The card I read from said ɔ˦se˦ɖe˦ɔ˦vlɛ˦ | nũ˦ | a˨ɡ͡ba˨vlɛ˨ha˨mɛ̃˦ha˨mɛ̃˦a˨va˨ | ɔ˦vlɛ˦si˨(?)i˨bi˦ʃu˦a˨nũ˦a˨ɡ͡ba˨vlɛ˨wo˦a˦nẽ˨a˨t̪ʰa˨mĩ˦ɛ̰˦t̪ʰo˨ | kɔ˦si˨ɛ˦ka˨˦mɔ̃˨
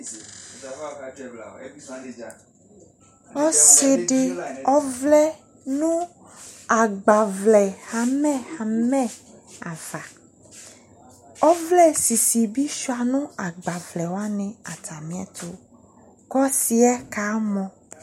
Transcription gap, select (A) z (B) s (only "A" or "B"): B